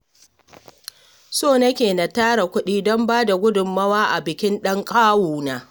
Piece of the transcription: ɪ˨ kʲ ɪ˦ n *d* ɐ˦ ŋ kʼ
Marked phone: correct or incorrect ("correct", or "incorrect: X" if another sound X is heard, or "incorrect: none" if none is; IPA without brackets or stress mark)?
incorrect: ɗ